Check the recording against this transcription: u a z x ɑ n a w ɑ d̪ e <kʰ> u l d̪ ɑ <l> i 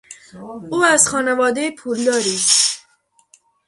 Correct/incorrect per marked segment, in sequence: incorrect: pʰ, incorrect: ɾ

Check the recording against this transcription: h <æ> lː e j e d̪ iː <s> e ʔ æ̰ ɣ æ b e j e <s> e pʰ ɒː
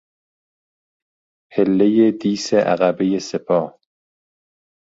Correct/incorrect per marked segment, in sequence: incorrect: e, correct, correct

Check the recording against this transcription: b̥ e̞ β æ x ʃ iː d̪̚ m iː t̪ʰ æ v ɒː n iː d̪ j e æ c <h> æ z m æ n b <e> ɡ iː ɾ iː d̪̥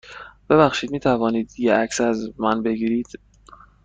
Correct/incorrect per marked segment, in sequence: incorrect: s, correct

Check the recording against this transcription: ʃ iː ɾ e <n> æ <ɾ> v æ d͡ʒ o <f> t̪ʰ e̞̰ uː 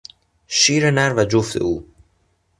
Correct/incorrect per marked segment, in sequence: correct, correct, correct

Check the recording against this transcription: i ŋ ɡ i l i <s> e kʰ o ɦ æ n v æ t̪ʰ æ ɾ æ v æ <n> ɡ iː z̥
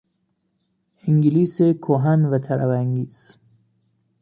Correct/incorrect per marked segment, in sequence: correct, incorrect: ŋ

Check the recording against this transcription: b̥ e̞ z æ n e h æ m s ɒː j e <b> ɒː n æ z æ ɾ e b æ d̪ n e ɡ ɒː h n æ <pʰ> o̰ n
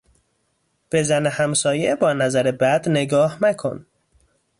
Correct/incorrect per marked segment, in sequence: correct, incorrect: kʰ

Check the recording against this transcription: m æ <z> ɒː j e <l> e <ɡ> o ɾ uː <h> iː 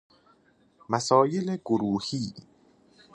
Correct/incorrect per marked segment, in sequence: incorrect: s, correct, correct, correct

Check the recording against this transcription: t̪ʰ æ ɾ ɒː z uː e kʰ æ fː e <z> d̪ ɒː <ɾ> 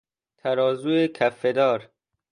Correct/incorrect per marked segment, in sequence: incorrect: none, correct

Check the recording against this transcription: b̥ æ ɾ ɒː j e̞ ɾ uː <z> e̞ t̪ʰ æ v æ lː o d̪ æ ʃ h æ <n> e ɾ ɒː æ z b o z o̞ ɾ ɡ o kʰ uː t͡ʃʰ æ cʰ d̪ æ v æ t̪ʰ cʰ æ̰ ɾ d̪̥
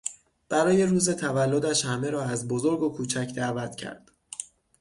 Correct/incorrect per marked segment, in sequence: correct, incorrect: m

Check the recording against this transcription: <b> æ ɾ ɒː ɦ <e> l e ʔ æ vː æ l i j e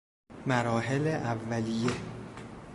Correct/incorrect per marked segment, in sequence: incorrect: m, correct

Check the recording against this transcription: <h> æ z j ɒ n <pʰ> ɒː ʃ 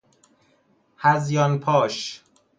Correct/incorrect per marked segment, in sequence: correct, correct

